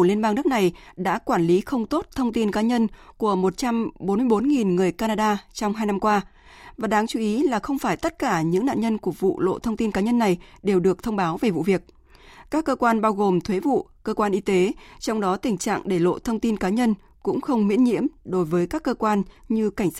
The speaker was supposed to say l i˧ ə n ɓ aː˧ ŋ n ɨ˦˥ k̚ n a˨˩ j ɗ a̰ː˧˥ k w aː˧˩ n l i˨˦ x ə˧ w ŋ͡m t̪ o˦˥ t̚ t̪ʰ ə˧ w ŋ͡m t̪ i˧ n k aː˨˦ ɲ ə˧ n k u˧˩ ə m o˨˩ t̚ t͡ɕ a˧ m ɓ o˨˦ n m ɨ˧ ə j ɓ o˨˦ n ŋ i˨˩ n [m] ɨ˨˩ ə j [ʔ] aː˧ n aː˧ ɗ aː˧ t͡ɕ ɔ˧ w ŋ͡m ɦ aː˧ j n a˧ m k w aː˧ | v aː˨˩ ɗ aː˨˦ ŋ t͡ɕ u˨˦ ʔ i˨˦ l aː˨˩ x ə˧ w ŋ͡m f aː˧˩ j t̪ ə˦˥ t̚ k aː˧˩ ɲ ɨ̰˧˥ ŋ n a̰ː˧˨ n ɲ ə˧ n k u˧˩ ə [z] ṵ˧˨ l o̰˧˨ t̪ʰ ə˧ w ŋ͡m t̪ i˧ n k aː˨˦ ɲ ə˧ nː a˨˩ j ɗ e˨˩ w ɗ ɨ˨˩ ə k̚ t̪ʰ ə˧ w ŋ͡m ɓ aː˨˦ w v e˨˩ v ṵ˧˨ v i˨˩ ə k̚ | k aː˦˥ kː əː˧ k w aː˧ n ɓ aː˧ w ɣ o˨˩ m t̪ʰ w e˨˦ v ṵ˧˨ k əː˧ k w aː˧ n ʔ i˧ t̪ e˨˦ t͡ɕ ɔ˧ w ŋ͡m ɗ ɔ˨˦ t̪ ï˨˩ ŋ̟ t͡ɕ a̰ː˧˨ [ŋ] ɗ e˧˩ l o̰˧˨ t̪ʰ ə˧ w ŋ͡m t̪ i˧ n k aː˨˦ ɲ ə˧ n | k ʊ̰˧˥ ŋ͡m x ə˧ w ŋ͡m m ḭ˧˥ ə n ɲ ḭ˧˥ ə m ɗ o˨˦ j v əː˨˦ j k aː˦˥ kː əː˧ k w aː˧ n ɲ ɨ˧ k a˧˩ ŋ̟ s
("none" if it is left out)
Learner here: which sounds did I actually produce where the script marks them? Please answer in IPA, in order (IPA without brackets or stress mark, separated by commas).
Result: ŋ, k, v, ŋ